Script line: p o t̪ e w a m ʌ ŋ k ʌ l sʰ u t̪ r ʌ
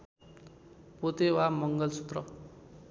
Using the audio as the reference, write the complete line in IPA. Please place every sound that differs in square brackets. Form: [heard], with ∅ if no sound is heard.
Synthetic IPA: p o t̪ e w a m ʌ ŋ [ɡ] ʌ l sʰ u t̪ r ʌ